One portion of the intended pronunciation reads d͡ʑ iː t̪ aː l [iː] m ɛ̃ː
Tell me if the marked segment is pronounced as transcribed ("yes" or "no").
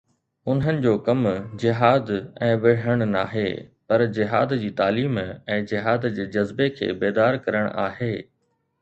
yes